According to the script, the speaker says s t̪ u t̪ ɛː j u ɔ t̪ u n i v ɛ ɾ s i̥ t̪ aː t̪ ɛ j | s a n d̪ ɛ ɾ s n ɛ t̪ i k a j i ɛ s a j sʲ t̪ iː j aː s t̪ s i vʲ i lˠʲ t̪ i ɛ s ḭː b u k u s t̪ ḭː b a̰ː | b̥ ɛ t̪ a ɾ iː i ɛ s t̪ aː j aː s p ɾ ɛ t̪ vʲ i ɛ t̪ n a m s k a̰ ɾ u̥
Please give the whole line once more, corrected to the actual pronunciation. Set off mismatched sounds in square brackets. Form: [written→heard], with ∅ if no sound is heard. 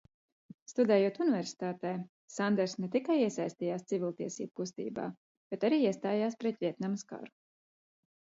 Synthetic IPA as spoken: s t̪ u [t̪→d̪] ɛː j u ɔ t̪ u n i v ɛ ɾ s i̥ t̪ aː t̪ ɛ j | s a n d̪ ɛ ɾ s n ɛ t̪ i k a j i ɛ s a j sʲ t̪ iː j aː s t̪ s i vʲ i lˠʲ t̪ i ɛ s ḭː b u k u s t̪ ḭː b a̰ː | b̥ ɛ t̪ a ɾ iː i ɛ s t̪ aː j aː s p ɾ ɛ t̪ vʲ i ɛ t̪ n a m s k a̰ ɾ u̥